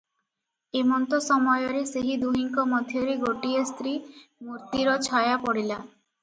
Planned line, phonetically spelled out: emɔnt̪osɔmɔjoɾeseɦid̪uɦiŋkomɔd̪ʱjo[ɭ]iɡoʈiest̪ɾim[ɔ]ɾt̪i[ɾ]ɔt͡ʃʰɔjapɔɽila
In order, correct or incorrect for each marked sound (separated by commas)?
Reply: incorrect, incorrect, correct